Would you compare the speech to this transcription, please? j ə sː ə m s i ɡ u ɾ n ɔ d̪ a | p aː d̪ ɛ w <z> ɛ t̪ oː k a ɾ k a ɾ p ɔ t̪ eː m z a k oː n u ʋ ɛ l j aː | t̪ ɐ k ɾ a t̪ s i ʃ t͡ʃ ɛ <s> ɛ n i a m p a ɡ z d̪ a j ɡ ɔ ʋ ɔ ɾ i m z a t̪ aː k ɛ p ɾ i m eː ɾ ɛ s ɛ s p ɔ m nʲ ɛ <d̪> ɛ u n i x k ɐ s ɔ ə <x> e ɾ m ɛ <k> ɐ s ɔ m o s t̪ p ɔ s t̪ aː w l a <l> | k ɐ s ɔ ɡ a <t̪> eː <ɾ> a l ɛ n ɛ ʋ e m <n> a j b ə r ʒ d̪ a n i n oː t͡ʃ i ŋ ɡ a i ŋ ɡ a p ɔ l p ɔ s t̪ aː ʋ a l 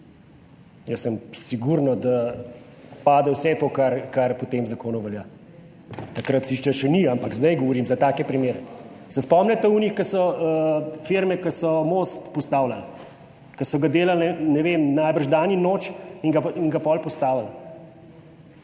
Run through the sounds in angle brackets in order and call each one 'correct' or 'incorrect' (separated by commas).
incorrect, incorrect, incorrect, incorrect, correct, correct, incorrect, incorrect, correct